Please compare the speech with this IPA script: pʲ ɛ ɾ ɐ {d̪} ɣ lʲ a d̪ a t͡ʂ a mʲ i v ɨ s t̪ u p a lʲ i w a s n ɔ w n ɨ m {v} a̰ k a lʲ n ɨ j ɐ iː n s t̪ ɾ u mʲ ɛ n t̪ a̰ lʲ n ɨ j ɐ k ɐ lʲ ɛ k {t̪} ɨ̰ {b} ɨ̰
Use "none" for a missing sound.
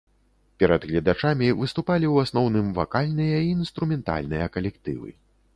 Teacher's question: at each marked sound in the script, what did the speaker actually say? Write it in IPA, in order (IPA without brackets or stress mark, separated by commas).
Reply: d̪, v, t̪, v